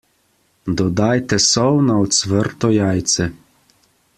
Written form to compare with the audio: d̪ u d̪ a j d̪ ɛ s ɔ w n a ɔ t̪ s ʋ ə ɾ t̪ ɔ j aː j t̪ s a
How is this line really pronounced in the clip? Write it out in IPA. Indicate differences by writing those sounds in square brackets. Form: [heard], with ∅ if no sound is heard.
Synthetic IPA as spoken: d̪ [ɔ] d̪ a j [t̪] ɛ s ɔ w n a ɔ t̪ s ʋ ə ɾ t̪ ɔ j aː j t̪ s [ɛ]